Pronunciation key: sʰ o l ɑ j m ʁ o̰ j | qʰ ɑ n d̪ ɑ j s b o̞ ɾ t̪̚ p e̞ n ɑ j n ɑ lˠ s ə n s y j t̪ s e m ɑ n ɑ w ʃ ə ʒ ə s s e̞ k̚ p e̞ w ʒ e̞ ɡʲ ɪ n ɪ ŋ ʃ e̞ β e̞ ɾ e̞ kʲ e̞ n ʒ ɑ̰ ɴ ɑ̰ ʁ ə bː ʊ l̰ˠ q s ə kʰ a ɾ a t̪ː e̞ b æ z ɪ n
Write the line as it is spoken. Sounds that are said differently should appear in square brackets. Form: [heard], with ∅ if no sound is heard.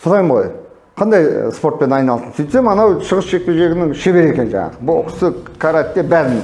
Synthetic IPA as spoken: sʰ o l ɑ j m ʁ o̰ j | qʰ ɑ n d̪ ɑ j s [p] o̞ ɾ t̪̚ p e̞ n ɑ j n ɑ lˠ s ə n s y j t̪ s e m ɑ n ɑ w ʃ ə [ʁ] ə s [ʃ] e̞ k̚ p e̞ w ʒ e̞ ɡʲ ɪ n ɪ ŋ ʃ e̞ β e̞ ɾ e̞ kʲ e̞ n ʒ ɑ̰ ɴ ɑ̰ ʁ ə [b] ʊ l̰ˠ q s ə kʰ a ɾ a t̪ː e̞ b æ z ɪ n